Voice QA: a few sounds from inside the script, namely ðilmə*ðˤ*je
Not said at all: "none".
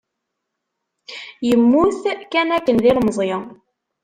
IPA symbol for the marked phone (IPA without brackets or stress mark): zˤ